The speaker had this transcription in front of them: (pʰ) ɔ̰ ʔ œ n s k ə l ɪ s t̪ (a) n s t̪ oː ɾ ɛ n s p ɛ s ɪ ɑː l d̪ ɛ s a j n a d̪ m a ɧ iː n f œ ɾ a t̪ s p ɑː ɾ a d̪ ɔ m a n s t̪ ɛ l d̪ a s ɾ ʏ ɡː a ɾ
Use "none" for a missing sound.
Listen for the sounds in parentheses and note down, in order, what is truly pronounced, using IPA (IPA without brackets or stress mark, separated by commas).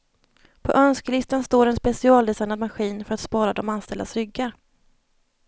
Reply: pʰ, a